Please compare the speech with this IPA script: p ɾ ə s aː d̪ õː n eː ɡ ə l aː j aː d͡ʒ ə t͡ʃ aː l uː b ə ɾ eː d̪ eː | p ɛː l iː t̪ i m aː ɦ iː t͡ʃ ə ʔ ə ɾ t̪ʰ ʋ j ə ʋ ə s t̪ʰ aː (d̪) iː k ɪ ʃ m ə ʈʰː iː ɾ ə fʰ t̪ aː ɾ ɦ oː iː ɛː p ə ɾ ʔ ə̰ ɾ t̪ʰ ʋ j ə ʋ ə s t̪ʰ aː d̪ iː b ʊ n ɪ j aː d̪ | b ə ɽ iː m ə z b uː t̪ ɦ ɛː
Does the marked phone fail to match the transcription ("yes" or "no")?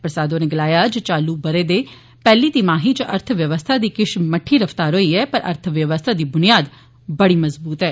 no